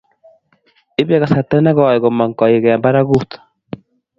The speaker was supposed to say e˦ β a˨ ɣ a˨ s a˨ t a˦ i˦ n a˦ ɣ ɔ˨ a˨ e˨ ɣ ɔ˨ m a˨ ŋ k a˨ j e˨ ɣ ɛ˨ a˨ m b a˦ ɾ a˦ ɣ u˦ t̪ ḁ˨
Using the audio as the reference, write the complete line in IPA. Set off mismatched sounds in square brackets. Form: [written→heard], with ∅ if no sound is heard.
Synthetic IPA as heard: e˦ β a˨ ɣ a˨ s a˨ t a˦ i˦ n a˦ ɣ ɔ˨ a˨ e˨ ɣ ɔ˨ m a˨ ŋ k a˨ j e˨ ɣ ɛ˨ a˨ m b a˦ ɾ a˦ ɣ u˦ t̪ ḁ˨